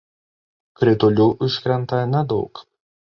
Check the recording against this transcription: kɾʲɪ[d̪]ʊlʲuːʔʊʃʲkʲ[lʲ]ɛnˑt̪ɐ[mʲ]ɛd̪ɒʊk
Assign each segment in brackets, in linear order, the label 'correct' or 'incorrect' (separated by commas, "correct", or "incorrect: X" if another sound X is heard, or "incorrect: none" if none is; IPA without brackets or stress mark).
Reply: incorrect: t̪, incorrect: ɾʲ, incorrect: nʲ